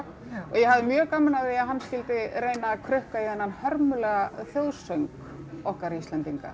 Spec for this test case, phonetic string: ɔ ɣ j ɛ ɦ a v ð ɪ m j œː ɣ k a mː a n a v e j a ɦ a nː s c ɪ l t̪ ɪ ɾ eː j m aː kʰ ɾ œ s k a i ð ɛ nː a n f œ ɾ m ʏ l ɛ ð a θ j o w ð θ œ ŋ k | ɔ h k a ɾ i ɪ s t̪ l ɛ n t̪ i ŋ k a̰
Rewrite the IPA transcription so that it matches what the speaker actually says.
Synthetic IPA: ɔ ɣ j ɛ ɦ a v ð ɪ m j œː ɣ k a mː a n a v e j a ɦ a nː s c ɪ l t̪ ɪ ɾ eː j n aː kʰ ɾ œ h k a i ð ɛ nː a n h œ ɾ m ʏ l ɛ ɣ a θ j o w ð s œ ŋ k | ɔ h k a ɾ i i s t̪ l ɛ n t̪ i ŋ k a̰